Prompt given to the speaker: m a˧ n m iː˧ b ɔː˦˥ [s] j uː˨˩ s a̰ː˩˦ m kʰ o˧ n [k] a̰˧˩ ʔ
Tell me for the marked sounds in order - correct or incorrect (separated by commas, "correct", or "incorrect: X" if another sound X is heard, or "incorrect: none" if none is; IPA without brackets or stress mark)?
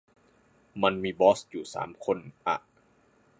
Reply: correct, incorrect: ʔ